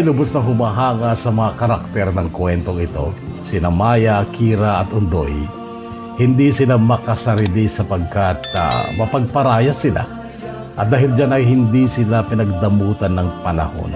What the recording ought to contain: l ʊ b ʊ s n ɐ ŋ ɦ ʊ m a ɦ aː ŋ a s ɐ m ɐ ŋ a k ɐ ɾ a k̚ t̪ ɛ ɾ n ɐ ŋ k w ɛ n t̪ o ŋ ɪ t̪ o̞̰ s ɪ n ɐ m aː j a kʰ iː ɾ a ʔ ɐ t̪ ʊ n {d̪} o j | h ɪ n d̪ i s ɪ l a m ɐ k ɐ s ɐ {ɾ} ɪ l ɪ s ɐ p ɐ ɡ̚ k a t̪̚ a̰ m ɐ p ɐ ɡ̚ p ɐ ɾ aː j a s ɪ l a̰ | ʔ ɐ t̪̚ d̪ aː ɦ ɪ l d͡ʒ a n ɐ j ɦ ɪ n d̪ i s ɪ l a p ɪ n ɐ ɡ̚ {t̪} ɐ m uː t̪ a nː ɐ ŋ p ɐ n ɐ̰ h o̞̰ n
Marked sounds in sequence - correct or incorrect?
correct, correct, incorrect

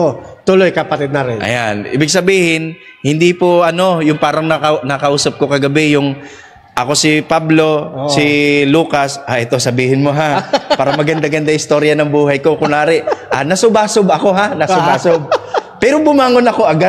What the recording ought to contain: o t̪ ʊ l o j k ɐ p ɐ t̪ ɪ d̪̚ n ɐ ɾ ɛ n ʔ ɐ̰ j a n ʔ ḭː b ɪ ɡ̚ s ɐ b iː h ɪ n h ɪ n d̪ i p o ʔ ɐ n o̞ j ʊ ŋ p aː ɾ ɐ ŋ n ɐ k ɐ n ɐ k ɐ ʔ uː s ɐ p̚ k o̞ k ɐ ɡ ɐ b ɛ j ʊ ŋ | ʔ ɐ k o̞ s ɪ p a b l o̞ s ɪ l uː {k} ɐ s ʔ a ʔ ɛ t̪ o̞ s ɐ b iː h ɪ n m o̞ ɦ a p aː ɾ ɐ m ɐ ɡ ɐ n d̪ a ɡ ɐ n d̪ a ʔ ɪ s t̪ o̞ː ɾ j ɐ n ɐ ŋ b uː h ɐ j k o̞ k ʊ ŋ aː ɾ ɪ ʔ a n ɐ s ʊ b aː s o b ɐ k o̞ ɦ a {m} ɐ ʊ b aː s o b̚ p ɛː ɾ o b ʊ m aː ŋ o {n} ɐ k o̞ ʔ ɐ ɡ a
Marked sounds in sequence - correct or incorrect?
correct, incorrect, correct

